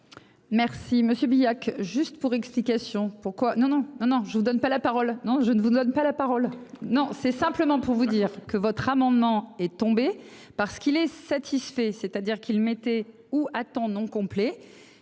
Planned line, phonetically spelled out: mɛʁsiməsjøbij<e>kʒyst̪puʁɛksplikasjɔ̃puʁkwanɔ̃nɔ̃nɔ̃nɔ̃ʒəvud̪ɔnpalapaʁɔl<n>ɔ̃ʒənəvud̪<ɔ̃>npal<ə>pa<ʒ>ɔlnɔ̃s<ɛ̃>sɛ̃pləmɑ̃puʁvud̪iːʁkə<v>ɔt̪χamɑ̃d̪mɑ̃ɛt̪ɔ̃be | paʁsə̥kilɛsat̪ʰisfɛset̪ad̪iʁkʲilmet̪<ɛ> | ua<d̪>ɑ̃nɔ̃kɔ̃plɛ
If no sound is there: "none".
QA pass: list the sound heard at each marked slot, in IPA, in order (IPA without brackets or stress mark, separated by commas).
a, n, ɔ, a, ʁ, ɛ, v, ɛ, t̪